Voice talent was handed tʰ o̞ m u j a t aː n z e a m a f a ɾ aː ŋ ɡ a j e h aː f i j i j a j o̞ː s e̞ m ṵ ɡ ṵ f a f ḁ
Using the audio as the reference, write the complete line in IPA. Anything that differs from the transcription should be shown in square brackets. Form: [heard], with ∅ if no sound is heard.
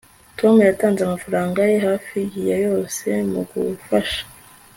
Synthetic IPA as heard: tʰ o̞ m u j a t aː n z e a m a f a ɾ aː ŋ ɡ a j e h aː f i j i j a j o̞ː s e̞ m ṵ ɡ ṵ f a [ʃ] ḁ